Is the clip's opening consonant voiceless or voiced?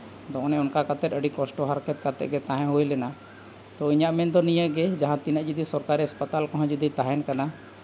voiced